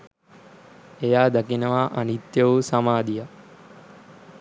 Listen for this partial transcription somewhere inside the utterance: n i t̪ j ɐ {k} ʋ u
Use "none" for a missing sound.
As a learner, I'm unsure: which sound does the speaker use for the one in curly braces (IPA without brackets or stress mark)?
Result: none